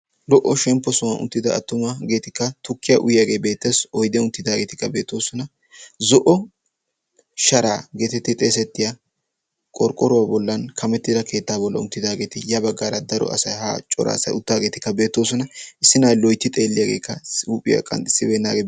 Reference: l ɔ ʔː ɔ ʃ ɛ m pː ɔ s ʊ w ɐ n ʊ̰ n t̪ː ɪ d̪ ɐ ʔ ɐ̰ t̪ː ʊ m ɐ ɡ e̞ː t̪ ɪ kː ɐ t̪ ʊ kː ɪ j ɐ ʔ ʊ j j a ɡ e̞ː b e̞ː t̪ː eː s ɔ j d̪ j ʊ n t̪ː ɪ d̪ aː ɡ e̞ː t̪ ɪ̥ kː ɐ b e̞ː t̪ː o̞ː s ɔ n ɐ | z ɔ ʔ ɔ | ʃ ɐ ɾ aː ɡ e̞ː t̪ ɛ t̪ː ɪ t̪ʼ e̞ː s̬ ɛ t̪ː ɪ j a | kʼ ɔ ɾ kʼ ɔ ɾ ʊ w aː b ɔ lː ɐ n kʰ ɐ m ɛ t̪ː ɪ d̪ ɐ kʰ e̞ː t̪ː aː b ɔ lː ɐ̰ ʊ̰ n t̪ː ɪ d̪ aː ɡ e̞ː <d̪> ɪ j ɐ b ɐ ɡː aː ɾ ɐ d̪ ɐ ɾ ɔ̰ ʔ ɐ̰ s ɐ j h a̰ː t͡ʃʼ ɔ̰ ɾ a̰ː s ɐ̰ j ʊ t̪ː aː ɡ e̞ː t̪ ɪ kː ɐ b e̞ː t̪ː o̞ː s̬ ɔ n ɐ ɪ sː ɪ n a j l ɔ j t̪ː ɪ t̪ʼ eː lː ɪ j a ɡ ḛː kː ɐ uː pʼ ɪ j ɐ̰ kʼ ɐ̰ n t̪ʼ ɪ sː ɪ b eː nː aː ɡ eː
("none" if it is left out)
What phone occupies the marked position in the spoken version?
t̪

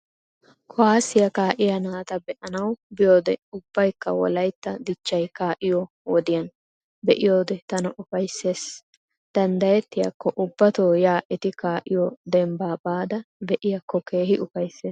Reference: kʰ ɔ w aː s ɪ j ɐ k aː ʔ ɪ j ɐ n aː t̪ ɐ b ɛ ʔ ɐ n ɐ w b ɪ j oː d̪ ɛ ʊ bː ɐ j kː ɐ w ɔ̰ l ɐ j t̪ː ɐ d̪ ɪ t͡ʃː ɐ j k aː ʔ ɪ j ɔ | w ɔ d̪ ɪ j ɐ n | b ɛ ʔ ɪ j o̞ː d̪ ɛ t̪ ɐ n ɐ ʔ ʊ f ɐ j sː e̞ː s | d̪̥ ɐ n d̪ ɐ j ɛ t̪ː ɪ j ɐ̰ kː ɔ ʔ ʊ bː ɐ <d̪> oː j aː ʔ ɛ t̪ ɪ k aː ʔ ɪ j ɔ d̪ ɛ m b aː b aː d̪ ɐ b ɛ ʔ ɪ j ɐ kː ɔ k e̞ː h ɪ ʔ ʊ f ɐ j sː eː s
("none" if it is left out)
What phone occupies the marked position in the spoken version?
t̪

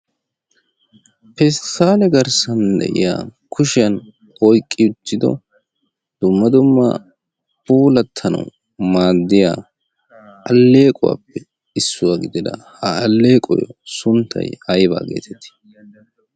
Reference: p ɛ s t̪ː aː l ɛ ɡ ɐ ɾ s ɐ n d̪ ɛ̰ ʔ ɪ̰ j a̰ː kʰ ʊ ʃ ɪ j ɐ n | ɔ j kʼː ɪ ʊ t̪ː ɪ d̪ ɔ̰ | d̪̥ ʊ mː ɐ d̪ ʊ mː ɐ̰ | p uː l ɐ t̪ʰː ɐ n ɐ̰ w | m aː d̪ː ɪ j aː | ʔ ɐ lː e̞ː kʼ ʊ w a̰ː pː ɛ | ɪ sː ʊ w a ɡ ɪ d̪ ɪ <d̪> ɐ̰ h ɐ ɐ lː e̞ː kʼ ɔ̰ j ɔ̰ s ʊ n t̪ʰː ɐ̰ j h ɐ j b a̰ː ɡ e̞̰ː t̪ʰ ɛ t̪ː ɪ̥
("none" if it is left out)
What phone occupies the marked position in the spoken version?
d̪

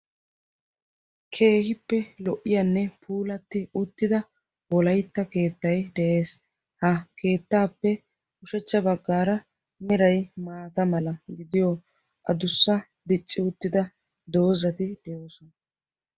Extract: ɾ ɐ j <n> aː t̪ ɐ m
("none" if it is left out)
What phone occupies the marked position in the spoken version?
m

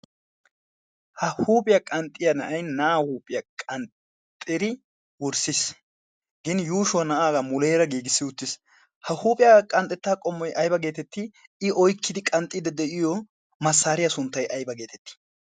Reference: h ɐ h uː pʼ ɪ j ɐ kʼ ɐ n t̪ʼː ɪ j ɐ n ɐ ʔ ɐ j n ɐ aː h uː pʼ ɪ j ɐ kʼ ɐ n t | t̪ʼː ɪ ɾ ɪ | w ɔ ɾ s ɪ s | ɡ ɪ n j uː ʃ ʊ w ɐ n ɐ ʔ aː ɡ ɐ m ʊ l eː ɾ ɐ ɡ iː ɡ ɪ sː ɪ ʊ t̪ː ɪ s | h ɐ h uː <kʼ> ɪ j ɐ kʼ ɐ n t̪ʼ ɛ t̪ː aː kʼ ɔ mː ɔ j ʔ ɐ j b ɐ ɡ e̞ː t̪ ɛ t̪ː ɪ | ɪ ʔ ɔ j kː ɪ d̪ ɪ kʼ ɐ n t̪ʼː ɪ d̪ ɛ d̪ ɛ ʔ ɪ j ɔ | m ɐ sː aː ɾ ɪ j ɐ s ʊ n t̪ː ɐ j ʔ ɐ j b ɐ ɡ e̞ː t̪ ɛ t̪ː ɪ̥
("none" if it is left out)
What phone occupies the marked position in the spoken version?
pʼ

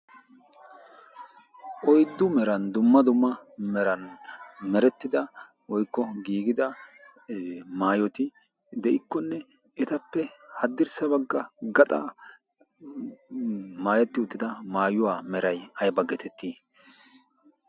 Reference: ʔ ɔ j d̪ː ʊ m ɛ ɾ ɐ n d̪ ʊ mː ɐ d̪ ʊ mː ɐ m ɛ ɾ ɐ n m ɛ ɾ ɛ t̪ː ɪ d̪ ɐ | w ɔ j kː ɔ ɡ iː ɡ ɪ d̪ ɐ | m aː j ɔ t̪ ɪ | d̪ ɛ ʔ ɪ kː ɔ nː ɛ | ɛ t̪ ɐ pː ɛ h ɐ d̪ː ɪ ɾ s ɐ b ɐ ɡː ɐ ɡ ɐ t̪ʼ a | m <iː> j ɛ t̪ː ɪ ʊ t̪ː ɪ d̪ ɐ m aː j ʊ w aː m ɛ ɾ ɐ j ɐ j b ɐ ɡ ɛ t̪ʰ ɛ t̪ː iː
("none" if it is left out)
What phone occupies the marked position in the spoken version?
aː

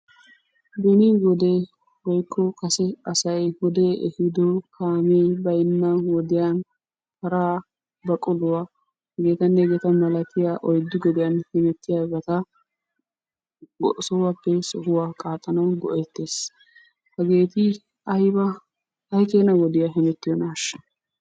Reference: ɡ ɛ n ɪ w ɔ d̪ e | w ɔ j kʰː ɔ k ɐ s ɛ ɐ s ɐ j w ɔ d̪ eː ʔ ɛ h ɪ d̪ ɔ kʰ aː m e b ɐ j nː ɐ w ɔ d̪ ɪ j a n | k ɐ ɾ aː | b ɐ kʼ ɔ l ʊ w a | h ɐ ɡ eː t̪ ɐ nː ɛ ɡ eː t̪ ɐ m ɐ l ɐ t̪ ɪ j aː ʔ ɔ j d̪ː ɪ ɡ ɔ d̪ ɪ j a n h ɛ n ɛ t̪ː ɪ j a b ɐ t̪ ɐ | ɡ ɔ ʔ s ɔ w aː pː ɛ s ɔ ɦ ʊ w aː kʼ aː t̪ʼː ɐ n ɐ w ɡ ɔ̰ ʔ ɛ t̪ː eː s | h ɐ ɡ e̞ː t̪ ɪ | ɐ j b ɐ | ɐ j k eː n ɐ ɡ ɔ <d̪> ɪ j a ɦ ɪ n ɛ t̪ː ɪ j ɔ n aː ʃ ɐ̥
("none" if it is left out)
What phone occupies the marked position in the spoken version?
d̪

